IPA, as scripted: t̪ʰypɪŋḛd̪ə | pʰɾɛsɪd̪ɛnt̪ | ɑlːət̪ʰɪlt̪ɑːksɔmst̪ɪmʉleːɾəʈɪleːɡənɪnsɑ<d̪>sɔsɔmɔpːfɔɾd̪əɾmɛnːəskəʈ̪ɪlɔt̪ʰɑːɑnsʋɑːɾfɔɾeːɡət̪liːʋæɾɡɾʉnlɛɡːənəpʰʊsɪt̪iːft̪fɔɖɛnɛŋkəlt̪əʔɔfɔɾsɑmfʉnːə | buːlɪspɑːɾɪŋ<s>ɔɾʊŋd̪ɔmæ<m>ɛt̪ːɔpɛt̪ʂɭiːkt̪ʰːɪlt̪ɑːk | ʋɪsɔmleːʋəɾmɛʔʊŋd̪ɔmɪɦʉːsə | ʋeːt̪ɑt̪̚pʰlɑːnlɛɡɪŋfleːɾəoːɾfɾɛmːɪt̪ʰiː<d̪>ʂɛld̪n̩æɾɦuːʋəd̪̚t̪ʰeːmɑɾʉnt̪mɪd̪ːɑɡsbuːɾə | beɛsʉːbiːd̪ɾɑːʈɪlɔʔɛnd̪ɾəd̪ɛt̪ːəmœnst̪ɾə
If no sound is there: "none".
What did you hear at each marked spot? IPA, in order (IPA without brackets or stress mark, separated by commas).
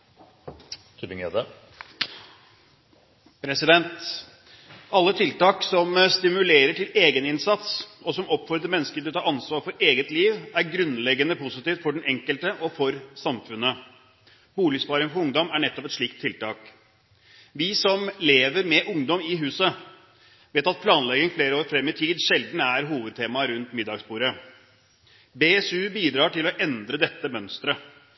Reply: t̪, f, ɳ, d̪